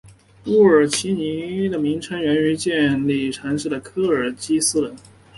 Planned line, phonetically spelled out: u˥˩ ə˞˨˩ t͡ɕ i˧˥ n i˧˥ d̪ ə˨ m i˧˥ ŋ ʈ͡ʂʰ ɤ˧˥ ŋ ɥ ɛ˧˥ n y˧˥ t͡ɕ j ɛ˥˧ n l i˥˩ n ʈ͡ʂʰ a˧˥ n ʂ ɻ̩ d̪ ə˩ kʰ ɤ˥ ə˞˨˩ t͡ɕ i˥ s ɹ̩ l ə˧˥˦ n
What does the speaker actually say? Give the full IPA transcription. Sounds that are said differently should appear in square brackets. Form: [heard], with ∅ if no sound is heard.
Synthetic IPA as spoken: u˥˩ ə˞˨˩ [t͡ɕʰ] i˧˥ n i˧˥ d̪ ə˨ m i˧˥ ŋ ʈ͡ʂʰ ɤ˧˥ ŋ ɥ ɛ˧˥ n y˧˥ t͡ɕ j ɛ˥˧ n l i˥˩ [∅] ʈ͡ʂʰ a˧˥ n ʂ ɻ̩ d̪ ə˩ kʰ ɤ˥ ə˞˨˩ t͡ɕ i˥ s ɹ̩ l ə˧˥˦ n